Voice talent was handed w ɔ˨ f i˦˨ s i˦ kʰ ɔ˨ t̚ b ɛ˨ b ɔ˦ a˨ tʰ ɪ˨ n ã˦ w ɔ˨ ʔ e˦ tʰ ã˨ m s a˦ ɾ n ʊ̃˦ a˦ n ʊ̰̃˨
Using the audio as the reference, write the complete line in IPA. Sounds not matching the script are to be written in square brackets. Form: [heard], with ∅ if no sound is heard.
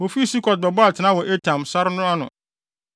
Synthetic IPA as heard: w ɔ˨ f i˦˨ s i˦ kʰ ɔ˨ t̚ b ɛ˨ b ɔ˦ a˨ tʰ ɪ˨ n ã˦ w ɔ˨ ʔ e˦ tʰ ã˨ m s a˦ ɾ n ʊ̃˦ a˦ n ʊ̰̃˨

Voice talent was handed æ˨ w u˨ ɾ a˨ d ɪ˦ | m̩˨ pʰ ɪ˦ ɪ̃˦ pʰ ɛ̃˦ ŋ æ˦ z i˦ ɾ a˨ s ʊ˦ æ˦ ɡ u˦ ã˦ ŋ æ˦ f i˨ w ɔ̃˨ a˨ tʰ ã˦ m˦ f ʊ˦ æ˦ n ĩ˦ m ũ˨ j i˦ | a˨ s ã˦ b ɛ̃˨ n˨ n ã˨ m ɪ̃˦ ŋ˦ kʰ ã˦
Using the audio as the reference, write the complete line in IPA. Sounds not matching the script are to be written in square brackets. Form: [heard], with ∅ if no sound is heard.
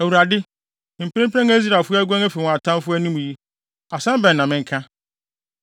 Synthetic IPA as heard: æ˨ w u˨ ɾ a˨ d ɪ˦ | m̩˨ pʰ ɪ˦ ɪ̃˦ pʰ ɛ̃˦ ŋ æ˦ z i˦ ɾ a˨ [f] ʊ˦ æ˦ ɡ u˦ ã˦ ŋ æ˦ f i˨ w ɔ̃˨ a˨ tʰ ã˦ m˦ f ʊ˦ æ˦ n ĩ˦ m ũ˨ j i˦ | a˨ s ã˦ b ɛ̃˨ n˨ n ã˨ m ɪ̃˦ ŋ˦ kʰ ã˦

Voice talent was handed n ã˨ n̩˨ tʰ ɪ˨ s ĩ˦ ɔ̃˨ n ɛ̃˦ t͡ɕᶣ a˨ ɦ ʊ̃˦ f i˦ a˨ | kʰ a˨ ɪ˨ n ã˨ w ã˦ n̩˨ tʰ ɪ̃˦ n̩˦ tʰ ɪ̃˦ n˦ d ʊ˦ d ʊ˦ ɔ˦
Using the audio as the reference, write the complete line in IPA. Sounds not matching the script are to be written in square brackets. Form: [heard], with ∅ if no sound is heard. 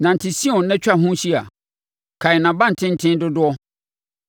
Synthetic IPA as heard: n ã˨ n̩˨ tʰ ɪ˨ s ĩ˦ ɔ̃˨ n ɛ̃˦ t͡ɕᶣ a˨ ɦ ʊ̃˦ [ɕ] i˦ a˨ | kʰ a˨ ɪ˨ n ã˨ [b] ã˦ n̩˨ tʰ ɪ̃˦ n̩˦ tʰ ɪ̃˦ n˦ d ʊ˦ d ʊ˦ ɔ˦

